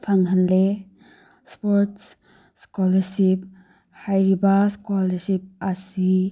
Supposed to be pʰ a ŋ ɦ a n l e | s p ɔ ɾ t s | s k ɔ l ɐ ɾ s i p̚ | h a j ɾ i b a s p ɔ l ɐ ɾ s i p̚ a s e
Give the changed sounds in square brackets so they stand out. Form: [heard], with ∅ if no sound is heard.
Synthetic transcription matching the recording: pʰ a ŋ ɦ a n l e | s p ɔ ɾ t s | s k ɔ l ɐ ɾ s i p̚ | h a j ɾ i b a s [k] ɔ l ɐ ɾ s i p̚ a s [i]